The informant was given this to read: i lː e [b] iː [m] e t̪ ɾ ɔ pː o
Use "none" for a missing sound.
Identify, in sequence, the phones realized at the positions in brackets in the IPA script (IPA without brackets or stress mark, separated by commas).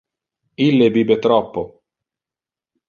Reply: b, b